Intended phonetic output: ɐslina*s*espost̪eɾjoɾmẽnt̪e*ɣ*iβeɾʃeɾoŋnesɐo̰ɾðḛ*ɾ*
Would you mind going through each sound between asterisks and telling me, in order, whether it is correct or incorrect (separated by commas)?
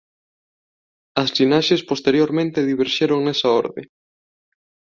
incorrect, incorrect, incorrect